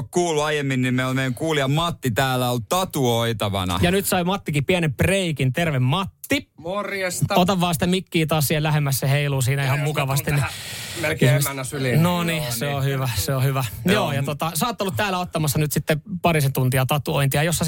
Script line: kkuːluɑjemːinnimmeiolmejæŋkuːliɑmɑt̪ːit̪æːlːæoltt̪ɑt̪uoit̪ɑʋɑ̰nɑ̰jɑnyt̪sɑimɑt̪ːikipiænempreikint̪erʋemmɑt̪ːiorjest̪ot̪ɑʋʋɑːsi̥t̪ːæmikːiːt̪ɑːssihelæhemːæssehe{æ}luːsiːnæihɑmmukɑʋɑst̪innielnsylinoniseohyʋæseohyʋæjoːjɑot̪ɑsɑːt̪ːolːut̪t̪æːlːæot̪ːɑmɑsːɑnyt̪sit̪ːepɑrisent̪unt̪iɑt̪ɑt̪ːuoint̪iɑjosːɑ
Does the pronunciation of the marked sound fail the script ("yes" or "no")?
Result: yes